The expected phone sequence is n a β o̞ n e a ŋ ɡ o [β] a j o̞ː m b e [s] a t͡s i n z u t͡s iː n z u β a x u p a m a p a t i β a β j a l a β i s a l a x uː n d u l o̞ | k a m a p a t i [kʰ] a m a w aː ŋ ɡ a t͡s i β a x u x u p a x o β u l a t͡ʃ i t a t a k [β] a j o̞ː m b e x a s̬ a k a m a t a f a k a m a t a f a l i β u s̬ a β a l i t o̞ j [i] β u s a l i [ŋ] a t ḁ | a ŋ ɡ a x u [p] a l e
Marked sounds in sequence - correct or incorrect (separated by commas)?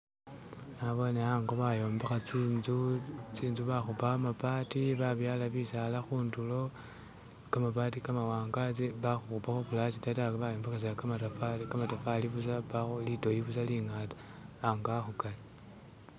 correct, incorrect, incorrect, correct, correct, correct, incorrect